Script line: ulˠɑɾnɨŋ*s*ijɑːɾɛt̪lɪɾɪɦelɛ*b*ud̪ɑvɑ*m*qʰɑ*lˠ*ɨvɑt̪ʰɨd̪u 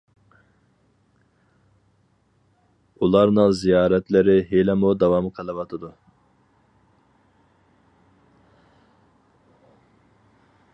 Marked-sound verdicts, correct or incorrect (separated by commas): incorrect, incorrect, correct, correct